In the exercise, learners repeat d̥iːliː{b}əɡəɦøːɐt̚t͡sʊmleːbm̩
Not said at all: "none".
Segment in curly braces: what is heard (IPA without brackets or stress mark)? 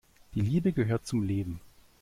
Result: b